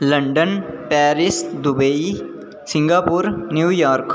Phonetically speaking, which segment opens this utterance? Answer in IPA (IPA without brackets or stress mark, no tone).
l